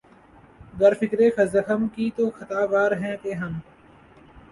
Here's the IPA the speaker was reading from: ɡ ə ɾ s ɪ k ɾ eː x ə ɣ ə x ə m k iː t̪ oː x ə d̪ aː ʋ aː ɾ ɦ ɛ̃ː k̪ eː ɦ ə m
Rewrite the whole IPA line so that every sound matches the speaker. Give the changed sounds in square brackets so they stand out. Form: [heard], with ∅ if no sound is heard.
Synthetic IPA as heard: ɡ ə ɾ [f] ɪ k ɾ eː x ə [z] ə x ə m k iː t̪ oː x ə [t̪] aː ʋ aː ɾ ɦ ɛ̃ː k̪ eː ɦ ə m

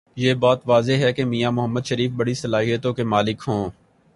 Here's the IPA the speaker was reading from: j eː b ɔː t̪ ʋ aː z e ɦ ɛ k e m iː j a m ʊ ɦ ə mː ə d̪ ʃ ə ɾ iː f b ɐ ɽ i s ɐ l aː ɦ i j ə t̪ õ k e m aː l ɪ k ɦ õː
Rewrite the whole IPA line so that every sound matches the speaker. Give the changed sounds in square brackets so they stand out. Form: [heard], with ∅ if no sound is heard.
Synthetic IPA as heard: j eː b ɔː t̪ ʋ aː z e ɦ ɛ k e m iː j a m ʊ ɦ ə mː ə d̪ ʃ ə ɾ iː f b ɐ ɽ i s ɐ l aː ɦ i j ə t̪ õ k e m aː l ɪ k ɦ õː

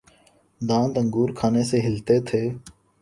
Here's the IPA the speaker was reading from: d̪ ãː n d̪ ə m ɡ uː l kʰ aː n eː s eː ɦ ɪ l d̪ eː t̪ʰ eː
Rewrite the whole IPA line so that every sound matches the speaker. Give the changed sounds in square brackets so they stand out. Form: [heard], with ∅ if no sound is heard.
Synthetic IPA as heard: d̪ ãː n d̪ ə [ŋ] ɡ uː [ɾ] kʰ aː n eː s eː ɦ ɪ l [t̪] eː t̪ʰ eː

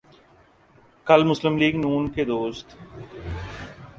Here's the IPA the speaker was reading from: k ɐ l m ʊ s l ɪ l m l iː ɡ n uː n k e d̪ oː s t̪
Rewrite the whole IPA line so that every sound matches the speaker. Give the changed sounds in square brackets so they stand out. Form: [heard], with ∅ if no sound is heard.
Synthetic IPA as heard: k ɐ l m ʊ s l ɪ [∅] m l iː ɡ n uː n k e d̪ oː s t̪

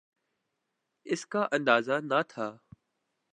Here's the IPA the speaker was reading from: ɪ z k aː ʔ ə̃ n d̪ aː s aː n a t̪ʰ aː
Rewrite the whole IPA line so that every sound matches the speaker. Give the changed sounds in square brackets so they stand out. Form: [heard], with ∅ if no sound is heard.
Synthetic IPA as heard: ɪ [s] k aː ʔ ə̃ n d̪ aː [z] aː n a t̪ʰ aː

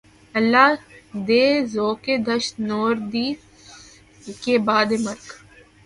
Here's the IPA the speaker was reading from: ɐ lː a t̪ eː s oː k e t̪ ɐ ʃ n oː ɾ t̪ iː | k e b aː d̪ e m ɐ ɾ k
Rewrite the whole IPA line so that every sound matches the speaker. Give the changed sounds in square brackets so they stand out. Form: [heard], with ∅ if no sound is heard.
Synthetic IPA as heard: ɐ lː a [d̪] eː [z] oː k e [d̪] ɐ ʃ n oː ɾ [d̪] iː | k e b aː d̪ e m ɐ ɾ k

